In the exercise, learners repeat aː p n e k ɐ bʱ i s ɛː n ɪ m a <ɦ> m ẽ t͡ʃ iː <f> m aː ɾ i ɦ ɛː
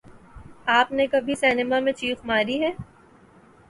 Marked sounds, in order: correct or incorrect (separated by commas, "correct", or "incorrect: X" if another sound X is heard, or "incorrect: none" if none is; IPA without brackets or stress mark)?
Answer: incorrect: none, correct